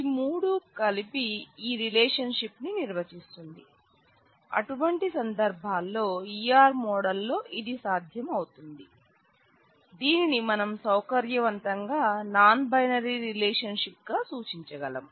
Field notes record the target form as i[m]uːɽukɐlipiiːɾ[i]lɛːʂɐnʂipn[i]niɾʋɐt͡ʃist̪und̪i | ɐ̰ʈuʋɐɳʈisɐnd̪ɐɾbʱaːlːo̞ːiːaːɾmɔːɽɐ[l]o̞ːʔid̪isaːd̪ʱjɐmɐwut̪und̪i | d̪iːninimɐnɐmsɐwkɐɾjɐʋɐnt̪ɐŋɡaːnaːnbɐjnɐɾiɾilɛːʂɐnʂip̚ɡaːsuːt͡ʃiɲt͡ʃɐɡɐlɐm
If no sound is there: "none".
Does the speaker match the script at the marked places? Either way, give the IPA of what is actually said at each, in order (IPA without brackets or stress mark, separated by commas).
m, i, i, lː